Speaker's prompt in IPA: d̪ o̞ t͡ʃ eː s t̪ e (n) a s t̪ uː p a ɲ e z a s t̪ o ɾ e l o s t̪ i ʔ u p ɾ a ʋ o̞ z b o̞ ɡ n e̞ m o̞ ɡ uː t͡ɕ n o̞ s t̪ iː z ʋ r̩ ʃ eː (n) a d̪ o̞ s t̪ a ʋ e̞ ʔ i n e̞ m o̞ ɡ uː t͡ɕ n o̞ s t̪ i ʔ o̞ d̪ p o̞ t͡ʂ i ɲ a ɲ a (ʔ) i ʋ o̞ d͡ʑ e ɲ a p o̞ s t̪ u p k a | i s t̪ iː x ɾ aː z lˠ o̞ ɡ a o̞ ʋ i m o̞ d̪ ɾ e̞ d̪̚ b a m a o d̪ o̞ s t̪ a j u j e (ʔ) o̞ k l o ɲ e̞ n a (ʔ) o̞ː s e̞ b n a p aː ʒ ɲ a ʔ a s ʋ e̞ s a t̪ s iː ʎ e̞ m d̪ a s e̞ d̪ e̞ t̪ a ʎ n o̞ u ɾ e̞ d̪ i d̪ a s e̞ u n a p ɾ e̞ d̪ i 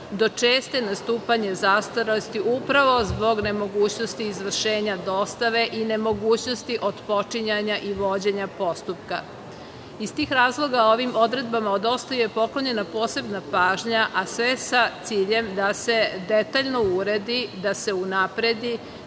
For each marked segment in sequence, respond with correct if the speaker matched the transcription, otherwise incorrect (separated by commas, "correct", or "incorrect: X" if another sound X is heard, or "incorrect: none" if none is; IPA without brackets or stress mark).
correct, incorrect: ɲ, correct, incorrect: p, incorrect: p